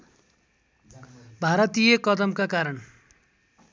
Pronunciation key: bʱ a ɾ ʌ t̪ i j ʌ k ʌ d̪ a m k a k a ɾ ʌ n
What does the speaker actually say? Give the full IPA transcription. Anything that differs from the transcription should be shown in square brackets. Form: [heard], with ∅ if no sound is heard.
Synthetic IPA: bʱ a ɾ ʌ t̪ i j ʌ k ʌ d̪ [ʌ] m k a k a ɾ ʌ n